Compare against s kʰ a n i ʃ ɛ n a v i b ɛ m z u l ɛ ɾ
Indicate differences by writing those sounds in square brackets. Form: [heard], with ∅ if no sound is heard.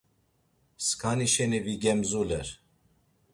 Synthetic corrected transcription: s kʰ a n i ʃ ɛ n [i] v i [ɡ] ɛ m z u l ɛ ɾ

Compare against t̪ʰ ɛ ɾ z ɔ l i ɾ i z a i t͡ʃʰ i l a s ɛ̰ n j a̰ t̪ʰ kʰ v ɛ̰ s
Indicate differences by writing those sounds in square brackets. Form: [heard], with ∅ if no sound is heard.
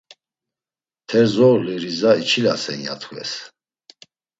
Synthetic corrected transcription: t̪ʰ ɛ ɾ z ɔ l i ɾ i z a i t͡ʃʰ i l a s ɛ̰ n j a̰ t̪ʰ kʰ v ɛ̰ s

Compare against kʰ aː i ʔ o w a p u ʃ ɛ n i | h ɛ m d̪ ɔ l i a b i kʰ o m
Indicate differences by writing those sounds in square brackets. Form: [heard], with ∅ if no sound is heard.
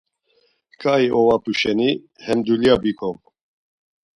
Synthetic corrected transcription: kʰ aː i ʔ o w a p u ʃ ɛ n i | h ɛ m d̪ [u] l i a b i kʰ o m

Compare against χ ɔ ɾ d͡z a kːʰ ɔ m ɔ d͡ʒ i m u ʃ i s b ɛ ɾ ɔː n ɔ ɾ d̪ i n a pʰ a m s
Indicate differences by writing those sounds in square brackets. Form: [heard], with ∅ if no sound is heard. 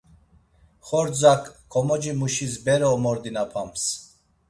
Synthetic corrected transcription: χ ɔ ɾ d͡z a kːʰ ɔ m ɔ d͡ʒ i m u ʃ i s b ɛ ɾ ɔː [m] ɔ ɾ d̪ i n a pʰ a m s

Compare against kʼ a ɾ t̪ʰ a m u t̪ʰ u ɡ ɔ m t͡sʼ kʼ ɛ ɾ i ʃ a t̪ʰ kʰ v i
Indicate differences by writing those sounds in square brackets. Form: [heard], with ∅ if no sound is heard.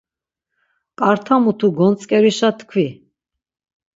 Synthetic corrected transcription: kʼ a ɾ t̪ʰ a m u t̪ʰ u ɡ ɔ [n] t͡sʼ kʼ ɛ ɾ i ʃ a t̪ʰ kʰ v i

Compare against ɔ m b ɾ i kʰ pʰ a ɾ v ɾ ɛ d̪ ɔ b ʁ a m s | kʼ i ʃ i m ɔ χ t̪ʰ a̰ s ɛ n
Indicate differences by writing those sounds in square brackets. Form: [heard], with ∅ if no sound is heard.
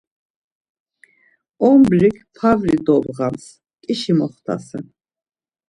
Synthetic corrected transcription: ɔ m b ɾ i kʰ pʰ a [∅] v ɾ [i] d̪ ɔ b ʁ a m s | kʼ i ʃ i m ɔ χ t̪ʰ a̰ s ɛ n

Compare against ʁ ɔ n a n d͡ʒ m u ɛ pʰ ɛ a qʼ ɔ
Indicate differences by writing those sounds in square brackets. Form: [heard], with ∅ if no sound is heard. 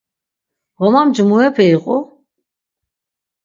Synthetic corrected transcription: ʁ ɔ [m] a [m] d͡ʒ m u ɛ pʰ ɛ [i] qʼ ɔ

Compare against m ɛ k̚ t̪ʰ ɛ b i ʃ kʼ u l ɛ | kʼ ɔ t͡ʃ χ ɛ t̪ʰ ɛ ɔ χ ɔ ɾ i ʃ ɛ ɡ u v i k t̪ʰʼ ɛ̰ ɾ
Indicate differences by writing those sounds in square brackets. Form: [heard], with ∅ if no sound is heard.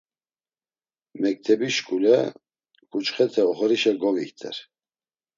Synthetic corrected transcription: m ɛ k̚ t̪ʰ ɛ b i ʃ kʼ u l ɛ | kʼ [u] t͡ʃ χ ɛ t̪ʰ ɛ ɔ χ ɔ ɾ i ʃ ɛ ɡ [ɔ] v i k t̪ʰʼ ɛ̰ ɾ

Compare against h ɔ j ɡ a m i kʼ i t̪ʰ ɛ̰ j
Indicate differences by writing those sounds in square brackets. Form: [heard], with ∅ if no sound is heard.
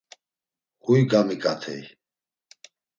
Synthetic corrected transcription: h [u] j ɡ a m i kʼ [a] t̪ʰ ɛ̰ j

